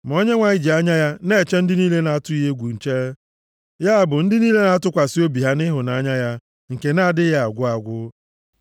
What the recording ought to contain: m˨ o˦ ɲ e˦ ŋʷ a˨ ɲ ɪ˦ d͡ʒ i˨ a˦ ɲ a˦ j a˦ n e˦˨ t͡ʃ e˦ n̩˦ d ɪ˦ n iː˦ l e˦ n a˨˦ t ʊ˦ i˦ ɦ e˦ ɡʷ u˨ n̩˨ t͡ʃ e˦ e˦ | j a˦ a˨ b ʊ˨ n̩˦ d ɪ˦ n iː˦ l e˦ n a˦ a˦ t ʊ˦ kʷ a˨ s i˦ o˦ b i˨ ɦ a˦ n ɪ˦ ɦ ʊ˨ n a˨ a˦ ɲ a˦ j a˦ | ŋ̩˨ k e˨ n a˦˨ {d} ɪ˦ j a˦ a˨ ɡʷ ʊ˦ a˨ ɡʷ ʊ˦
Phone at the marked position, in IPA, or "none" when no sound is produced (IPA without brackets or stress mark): d